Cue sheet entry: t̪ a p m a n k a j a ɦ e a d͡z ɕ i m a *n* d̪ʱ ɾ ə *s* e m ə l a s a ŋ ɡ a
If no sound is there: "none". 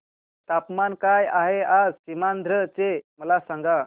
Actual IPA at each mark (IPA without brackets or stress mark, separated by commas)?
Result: n, t͡s